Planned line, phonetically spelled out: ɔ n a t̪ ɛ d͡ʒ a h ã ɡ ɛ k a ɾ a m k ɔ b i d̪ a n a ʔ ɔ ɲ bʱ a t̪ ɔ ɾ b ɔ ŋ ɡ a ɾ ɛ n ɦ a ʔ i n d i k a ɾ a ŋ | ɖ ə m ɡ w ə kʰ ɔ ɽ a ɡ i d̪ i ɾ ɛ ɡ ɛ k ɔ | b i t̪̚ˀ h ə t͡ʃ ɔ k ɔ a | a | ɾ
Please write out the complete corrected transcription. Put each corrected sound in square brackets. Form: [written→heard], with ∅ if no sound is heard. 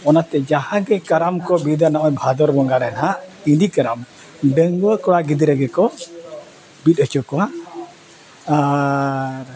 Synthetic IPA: ɔ n a t̪ ɛ d͡ʒ a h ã ɡ ɛ k a ɾ a m k ɔ b i d̪ a n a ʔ ɔ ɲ bʱ a [t̪→d̪] ɔ ɾ b ɔ ŋ ɡ a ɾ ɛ n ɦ a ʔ i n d i k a ɾ a [ŋ→m] | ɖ ə [m→ŋ] ɡ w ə [kʰ→k] ɔ ɽ a ɡ i d̪ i ɾ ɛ ɡ ɛ k ɔ | b i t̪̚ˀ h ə t͡ʃ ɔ k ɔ a | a | ɾ